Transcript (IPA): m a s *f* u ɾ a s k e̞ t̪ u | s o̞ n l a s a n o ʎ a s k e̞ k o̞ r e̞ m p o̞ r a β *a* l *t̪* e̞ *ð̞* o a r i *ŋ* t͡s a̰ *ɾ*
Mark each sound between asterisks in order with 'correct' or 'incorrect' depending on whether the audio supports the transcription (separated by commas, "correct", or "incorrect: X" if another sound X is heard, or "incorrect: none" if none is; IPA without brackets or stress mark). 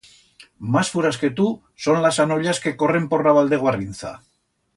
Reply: correct, correct, incorrect: d̪, incorrect: ɣ̞, incorrect: n, incorrect: none